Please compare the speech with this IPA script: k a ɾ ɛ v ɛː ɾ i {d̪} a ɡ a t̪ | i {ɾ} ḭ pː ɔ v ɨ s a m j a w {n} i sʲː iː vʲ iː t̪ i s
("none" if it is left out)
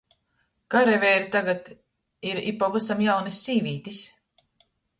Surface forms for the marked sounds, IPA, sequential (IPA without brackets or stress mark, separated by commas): t̪, ɾ, n